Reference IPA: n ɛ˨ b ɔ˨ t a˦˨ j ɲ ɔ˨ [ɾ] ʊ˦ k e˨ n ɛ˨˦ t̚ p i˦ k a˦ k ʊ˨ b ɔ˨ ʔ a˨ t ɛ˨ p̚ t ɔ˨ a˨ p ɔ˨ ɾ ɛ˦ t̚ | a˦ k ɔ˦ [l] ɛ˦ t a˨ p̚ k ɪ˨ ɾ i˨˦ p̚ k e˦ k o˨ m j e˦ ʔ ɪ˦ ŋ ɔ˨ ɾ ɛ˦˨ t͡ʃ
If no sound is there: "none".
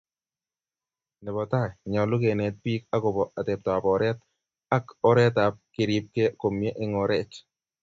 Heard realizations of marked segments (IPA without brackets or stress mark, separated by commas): l, ɾ